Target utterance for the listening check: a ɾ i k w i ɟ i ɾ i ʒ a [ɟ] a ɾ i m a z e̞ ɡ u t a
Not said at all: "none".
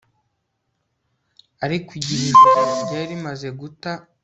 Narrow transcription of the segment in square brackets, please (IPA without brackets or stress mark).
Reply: ɟ